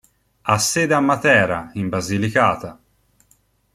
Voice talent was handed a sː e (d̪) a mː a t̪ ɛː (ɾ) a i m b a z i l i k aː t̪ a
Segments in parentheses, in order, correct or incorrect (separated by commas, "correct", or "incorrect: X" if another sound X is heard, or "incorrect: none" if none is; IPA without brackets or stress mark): correct, correct